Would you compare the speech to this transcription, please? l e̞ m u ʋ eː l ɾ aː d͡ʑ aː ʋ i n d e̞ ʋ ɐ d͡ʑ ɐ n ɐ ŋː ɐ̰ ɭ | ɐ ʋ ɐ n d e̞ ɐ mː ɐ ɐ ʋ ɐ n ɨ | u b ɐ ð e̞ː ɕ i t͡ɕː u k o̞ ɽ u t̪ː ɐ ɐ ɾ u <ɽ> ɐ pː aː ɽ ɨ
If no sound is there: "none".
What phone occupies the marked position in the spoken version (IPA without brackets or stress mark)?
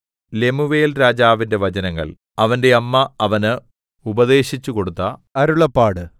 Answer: ɭ